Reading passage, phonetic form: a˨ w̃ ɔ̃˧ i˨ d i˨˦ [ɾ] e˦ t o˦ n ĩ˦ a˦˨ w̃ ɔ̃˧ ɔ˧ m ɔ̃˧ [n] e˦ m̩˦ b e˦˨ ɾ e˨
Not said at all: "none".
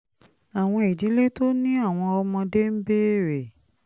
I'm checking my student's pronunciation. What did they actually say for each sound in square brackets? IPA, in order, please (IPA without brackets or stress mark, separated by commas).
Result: l, d